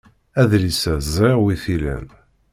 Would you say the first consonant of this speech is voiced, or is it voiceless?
voiced